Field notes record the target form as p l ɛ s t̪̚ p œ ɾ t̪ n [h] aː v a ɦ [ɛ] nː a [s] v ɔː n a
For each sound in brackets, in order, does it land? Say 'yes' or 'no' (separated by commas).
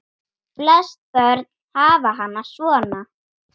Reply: yes, no, yes